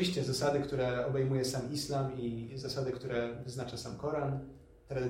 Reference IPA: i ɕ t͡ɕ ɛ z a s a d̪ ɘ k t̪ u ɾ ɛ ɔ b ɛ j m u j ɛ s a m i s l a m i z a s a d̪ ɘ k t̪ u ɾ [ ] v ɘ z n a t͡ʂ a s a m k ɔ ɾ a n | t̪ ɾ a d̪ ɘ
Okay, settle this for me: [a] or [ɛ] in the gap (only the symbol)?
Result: ɛ